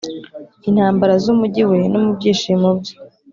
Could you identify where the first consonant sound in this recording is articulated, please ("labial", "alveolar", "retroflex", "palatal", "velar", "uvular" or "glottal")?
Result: alveolar